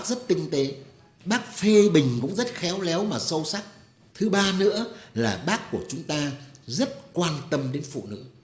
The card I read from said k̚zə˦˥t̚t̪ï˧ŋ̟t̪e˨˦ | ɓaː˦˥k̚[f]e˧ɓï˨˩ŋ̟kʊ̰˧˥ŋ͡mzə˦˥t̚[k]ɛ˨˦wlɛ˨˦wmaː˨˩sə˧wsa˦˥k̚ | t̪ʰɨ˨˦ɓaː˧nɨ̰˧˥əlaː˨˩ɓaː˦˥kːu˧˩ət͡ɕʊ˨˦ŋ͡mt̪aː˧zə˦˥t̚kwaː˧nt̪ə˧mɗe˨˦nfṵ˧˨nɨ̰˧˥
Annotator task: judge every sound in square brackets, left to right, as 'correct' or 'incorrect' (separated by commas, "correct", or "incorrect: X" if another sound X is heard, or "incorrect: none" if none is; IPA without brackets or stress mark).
correct, incorrect: x